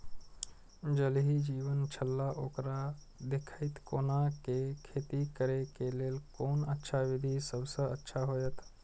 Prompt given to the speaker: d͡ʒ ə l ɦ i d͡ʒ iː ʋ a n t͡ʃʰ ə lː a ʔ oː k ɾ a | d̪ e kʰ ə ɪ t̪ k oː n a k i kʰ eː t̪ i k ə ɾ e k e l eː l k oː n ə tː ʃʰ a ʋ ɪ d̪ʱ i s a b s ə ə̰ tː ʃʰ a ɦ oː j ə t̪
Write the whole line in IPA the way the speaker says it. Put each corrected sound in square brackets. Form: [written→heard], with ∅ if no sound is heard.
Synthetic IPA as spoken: d͡ʒ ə l ɦ i d͡ʒ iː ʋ [a→ə] n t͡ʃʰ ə lː a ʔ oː k ɾ a | d̪ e kʰ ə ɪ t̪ k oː n a k [i→e] kʰ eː t̪ i k ə ɾ e k e l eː l k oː n ə tː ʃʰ a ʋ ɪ d̪ʱ i s [a→ə] b s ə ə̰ tː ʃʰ a ɦ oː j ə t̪